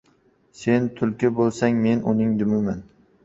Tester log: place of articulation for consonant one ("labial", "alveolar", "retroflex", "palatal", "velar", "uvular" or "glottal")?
alveolar